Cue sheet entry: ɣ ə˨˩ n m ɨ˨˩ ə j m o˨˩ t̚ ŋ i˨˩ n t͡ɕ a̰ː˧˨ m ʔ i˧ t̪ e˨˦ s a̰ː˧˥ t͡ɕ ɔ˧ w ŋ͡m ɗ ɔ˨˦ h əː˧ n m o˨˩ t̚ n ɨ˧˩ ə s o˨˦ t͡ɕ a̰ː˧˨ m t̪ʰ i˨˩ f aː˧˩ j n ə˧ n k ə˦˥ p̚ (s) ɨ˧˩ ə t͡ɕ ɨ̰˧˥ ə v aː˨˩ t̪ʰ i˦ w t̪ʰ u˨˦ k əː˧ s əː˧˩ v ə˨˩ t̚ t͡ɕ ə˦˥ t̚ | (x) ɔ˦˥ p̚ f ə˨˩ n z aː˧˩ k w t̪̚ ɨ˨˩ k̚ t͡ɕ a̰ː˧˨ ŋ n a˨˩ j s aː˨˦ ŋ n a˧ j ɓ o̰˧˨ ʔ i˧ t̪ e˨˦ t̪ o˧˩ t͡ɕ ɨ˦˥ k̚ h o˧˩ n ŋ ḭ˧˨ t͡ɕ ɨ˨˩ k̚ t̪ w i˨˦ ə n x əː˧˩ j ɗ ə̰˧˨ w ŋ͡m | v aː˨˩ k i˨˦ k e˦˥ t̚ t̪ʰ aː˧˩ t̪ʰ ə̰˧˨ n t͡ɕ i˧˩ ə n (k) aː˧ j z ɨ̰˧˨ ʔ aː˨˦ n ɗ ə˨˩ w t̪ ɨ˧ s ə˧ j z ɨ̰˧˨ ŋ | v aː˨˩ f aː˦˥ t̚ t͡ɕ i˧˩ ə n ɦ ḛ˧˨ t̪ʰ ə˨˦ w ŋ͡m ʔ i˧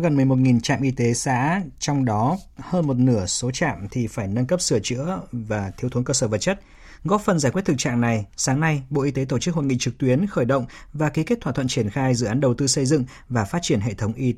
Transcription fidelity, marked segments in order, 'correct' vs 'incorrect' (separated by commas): correct, incorrect, incorrect